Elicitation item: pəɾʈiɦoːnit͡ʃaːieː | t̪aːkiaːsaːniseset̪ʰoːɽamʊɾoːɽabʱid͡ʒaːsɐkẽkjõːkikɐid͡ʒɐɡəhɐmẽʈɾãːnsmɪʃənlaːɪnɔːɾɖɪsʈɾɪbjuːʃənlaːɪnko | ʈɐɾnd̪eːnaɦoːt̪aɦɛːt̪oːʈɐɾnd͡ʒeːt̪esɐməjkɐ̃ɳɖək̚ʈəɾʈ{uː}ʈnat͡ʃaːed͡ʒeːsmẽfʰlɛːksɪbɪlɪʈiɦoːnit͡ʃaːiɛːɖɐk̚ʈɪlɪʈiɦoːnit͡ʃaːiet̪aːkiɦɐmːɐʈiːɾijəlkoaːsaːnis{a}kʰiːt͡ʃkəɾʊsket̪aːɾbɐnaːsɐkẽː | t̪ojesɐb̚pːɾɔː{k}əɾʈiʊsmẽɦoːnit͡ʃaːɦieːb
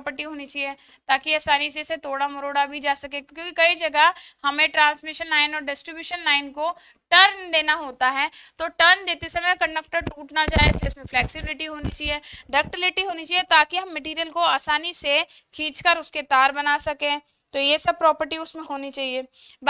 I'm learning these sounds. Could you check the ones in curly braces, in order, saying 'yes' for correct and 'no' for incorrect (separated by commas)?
yes, no, no